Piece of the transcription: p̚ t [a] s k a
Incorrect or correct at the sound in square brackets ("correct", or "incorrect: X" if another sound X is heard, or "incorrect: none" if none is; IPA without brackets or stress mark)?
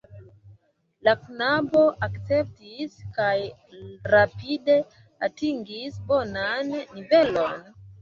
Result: incorrect: i